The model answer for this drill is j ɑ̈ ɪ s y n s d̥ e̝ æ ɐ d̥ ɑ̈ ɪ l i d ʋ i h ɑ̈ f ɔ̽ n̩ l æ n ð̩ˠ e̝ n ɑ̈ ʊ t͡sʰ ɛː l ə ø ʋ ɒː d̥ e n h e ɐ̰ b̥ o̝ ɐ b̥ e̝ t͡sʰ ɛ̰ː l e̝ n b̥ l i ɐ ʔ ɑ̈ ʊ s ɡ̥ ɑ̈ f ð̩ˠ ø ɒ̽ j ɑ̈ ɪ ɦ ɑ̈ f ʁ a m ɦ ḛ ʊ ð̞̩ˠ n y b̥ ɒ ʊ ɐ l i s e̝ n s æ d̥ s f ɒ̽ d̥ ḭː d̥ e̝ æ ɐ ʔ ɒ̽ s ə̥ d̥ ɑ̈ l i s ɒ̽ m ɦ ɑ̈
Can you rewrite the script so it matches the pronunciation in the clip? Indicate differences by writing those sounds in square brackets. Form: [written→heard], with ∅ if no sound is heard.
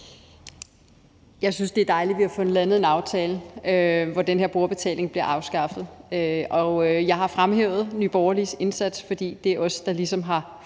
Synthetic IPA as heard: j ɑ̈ ɪ s y n s d̥ e̝ æ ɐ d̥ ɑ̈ ɪ l i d ʋ i h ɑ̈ f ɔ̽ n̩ l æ n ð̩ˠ e̝ n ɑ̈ ʊ t͡sʰ ɛː l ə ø ʋ [ɒː→ɒ] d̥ e n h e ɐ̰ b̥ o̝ ɐ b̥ e̝ t͡sʰ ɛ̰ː l e̝ [n→ŋ] b̥ l i ɐ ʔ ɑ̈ ʊ s ɡ̥ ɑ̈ f ð̩ˠ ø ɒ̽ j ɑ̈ ɪ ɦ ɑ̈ f ʁ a m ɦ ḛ ʊ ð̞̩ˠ n y b̥ ɒ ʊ ɐ l i s e̝ n s æ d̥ s f ɒ̽ d̥ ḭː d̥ e̝ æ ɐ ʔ ɒ̽ s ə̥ d̥ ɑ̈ l i s ɒ̽ m ɦ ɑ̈

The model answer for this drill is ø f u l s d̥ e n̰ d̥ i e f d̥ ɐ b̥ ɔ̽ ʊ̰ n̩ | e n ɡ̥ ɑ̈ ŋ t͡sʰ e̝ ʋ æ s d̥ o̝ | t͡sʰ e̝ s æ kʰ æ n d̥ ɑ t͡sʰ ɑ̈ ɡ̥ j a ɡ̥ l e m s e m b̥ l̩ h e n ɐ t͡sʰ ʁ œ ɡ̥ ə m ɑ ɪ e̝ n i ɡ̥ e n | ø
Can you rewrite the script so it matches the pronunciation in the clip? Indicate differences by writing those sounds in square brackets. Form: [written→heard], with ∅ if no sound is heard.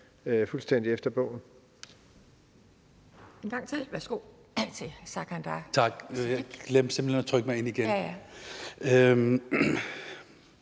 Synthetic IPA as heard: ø f u l s d̥ e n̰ d̥ i e f d̥ ɐ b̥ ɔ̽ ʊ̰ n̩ | e n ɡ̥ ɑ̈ ŋ t͡sʰ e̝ ʋ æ s [d̥→ɡ̥] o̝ | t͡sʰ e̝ s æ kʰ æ n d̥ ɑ t͡sʰ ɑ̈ ɡ̥ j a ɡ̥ l e m s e m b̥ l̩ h e n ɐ t͡sʰ ʁ œ ɡ̥ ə m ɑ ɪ e̝ n i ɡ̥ e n | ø

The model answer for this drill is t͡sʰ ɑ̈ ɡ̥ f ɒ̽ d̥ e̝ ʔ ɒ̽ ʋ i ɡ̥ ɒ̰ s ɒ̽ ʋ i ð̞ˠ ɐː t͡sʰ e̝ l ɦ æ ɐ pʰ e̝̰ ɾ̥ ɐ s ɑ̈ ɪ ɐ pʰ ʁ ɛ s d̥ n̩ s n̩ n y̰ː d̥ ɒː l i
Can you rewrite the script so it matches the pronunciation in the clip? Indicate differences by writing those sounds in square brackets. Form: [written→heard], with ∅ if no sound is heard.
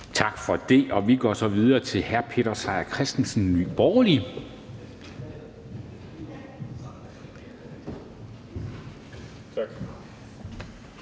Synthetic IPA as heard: t͡sʰ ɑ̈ ɡ̥ f ɒ̽ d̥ e̝ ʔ ɒ̽ ʋ i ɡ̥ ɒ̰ s ɒ̽ ʋ i ð̞ˠ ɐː t͡sʰ e̝ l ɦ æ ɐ pʰ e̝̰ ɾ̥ ɐ s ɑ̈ ɪ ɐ [pʰ→kʰ] ʁ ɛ s d̥ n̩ s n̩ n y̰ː [d̥→b̥] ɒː l i

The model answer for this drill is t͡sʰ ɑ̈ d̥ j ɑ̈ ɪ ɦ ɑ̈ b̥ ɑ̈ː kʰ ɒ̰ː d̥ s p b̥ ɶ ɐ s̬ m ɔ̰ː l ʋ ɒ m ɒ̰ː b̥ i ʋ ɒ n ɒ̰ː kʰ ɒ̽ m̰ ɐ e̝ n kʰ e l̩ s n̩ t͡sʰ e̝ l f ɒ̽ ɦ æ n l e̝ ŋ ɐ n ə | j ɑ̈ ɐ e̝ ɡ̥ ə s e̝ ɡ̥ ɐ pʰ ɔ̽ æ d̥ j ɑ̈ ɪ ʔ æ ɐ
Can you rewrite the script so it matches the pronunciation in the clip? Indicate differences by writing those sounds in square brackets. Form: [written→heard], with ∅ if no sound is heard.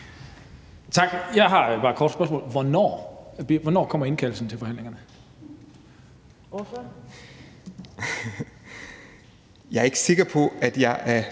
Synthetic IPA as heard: t͡sʰ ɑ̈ [d̥→ɡ̥] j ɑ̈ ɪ ɦ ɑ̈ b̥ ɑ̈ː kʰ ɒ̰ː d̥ s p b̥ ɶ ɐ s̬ m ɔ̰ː l ʋ ɒ [m→n] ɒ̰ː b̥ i ʋ ɒ n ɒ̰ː kʰ ɒ̽ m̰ ɐ e̝ n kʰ [e→æ] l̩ s n̩ t͡sʰ e̝ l f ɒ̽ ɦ æ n l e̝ ŋ ɐ n ə | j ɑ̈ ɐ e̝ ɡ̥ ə s e̝ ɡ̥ ɐ pʰ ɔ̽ æ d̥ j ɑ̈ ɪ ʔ æ ɐ

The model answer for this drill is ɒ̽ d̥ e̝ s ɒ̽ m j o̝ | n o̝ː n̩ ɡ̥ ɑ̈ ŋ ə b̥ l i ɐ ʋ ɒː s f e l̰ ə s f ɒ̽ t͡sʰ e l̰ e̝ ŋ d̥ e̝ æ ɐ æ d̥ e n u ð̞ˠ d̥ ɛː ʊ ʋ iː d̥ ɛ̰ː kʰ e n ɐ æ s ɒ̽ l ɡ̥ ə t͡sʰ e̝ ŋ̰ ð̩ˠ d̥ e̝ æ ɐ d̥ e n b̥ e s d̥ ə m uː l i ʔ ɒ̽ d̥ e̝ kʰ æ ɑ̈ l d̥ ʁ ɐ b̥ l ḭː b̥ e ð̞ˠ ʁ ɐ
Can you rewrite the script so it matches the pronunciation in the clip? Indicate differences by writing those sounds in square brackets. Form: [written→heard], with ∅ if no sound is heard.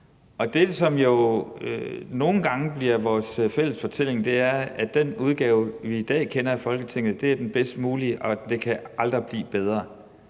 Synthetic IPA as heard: ɒ̽ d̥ e̝ s ɒ̽ m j o̝ | n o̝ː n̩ ɡ̥ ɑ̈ ŋ ə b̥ l i ɐ ʋ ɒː s f e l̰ ə s f ɒ̽ t͡sʰ e l̰ e̝ ŋ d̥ e̝ æ ɐ æ d̥ e n u ð̞ˠ [d̥→ɡ̥] ɛː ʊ ʋ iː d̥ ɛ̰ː kʰ e n ɐ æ [s→f] ɒ̽ l ɡ̥ ə t͡sʰ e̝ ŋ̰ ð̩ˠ d̥ e̝ æ ɐ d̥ e n b̥ e s d̥ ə m uː l i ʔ ɒ̽ d̥ e̝ kʰ æ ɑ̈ l d̥ ʁ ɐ b̥ l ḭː b̥ e ð̞ˠ ʁ ɐ

